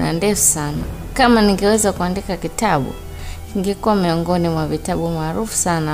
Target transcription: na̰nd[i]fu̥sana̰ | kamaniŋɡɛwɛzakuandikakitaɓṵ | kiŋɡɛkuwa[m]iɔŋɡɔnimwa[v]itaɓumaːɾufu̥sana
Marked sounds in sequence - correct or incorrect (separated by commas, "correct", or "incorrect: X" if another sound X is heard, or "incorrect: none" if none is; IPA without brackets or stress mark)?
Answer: incorrect: ɛ, correct, correct